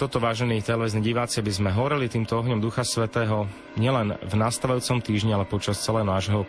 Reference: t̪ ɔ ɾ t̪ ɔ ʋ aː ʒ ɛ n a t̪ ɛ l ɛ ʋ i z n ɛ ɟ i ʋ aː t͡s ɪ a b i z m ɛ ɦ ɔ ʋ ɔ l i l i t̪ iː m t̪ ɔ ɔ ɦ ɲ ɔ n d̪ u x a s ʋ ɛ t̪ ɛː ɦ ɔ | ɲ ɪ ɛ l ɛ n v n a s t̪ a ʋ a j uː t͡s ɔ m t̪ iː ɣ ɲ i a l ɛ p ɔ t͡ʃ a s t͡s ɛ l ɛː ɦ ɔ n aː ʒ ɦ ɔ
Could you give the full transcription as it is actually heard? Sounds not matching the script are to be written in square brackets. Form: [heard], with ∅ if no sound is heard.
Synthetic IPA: t̪ ɔ [∅] t̪ ɔ ʋ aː ʒ ɛ n [i] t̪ ɛ l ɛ ʋ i z n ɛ ɟ i ʋ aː t͡s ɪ a b i z m ɛ ɦ ɔ ʋ ɔ [ɾ] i l i t̪ iː m t̪ ɔ ɔ ɦ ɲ ɔ [m] d̪ u x a s ʋ ɛ t̪ ɛː ɦ ɔ | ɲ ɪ ɛ l ɛ n v n a s t̪ a ʋ a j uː t͡s ɔ m t̪ iː [ʒ] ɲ i a l ɛ p ɔ t͡ʃ a s t͡s ɛ l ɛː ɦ ɔ n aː ʒ ɦ ɔ